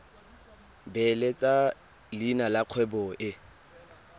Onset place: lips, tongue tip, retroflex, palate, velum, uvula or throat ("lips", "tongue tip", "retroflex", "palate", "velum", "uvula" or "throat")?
lips